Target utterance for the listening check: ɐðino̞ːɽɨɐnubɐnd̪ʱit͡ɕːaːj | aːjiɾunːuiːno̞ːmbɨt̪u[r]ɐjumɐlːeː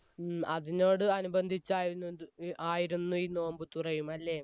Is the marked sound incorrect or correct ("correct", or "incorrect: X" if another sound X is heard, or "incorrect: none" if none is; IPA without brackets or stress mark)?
correct